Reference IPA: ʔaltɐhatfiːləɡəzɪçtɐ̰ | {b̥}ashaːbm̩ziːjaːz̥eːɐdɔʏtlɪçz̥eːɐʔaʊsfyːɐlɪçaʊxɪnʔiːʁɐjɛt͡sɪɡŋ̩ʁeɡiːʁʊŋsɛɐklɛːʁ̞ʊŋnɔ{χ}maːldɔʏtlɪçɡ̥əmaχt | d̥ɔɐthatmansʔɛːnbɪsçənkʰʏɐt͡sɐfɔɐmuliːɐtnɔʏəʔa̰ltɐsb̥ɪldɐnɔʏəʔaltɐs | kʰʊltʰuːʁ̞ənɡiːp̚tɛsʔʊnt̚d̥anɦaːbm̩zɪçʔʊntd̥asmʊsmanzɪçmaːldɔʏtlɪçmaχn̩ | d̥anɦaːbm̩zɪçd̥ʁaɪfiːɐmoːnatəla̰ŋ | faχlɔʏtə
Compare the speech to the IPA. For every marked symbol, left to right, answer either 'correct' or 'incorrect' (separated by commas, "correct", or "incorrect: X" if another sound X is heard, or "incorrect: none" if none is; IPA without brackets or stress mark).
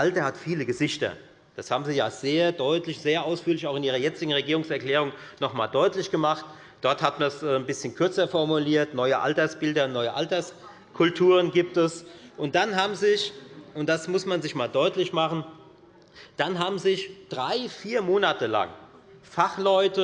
incorrect: d̥, correct